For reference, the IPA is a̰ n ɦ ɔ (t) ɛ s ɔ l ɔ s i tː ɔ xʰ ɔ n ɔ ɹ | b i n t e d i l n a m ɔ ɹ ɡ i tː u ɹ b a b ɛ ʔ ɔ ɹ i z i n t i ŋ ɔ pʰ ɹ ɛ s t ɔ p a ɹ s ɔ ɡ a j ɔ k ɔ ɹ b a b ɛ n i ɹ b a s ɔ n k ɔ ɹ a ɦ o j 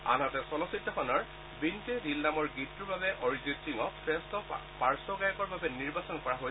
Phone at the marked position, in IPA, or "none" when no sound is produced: t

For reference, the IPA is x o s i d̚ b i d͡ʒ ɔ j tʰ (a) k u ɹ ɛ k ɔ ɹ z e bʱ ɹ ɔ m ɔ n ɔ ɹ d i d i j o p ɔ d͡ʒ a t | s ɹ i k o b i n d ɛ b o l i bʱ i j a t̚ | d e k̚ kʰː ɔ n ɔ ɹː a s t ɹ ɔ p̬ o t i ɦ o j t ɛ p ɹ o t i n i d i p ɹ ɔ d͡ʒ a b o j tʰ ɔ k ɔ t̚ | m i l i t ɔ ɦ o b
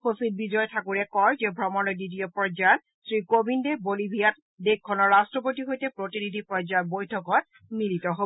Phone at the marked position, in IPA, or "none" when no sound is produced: a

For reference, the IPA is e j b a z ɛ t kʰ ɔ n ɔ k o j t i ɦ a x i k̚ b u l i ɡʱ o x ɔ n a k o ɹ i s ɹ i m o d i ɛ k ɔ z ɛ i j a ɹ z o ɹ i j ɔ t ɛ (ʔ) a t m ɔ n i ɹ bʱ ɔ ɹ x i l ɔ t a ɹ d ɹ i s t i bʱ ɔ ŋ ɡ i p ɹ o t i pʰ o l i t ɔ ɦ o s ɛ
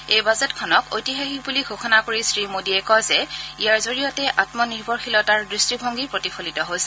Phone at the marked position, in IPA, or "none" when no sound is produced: ʔ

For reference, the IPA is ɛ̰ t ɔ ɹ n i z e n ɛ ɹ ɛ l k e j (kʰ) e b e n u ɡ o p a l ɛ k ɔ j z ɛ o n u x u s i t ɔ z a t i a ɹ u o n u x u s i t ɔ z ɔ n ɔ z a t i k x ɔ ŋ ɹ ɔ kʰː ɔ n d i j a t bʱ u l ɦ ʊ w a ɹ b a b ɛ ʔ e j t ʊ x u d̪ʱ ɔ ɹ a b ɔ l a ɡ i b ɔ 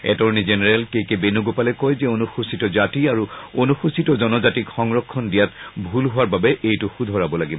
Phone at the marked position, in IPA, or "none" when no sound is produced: k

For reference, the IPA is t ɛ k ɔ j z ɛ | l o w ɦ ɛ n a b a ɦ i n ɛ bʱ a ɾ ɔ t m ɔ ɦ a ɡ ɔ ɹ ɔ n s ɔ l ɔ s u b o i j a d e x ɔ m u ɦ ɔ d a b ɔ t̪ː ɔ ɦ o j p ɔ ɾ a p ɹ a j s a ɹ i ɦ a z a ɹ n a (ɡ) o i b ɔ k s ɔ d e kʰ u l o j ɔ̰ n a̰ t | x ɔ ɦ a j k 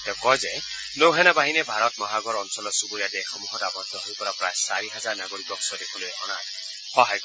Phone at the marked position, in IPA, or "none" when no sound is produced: ɡ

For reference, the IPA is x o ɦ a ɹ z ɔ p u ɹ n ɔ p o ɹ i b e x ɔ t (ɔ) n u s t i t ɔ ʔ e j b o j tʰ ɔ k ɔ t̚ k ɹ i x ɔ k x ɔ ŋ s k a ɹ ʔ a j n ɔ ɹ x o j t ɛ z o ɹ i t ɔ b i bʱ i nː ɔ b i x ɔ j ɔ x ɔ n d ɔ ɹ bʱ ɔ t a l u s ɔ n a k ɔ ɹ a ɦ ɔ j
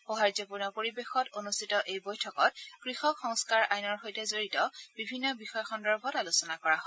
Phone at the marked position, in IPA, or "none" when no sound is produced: o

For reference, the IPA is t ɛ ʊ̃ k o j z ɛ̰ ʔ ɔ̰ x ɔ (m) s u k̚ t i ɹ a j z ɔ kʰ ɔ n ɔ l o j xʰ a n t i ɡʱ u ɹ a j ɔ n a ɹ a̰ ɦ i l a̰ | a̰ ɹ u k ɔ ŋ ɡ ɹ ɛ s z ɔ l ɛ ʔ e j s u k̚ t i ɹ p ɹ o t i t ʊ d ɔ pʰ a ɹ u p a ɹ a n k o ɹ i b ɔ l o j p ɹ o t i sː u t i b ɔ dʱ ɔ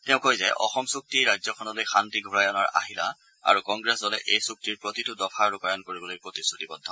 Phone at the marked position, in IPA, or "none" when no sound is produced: m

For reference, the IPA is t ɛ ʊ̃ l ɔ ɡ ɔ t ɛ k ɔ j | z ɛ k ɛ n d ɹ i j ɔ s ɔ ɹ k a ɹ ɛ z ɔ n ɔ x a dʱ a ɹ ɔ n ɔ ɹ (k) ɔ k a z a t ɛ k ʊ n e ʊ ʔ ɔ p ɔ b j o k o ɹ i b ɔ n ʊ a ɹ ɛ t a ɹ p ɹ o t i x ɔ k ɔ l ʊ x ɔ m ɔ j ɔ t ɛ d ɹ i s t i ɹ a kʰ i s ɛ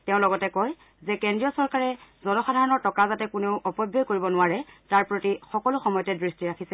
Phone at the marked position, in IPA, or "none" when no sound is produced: t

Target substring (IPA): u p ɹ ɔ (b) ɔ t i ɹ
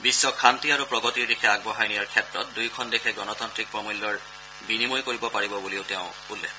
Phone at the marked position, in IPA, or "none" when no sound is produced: ɡ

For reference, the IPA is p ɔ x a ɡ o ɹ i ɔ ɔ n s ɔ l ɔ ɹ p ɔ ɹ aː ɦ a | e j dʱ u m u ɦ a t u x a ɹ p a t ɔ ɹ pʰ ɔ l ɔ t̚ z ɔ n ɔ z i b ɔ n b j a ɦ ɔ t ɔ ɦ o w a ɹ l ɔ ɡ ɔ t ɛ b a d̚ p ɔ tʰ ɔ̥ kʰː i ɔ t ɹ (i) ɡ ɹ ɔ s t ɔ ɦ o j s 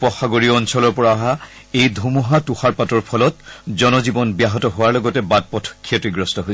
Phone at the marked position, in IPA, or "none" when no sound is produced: i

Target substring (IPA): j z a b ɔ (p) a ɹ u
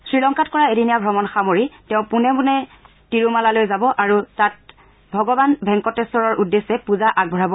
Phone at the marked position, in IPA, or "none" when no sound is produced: ʔ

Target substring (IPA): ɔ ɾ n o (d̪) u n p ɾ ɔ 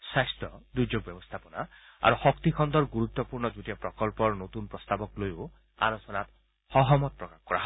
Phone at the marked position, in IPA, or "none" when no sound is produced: t̪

